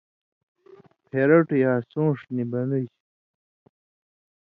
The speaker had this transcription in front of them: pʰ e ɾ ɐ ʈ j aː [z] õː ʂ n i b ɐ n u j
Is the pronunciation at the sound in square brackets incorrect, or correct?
incorrect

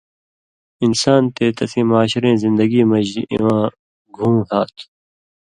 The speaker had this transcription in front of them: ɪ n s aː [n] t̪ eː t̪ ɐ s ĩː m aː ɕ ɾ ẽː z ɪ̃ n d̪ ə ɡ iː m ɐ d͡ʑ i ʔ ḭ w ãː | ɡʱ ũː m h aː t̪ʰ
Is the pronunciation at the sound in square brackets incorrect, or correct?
correct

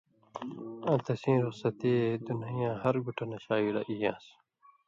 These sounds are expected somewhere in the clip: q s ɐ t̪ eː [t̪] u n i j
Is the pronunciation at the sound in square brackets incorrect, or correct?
incorrect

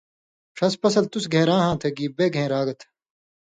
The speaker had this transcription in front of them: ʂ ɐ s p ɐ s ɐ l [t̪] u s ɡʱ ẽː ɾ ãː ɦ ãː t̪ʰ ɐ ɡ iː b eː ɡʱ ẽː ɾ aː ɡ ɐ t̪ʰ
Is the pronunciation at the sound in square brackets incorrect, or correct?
correct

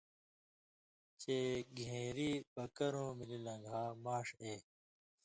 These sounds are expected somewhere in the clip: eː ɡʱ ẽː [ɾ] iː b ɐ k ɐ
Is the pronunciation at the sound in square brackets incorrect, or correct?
correct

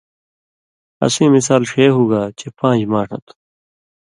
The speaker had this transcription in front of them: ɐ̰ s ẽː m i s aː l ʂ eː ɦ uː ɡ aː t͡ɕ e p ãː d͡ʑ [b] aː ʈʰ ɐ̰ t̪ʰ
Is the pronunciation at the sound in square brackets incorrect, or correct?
incorrect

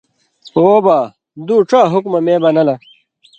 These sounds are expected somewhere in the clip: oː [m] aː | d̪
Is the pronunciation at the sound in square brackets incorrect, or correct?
incorrect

